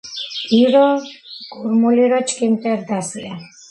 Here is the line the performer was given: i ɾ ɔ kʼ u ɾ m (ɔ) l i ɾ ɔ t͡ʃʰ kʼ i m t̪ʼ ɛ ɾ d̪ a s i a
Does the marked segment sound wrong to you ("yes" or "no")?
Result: yes